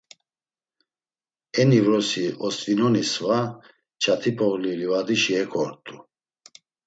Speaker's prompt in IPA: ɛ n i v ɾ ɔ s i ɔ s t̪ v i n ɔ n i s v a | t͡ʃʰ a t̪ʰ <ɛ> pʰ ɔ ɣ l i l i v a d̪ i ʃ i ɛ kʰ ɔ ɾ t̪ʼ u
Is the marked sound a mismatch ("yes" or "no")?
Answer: yes